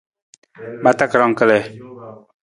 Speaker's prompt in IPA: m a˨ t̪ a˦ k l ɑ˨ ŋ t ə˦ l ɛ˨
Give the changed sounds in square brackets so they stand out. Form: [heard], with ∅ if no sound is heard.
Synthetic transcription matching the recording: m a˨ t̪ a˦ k [ɾ] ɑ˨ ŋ [k] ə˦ l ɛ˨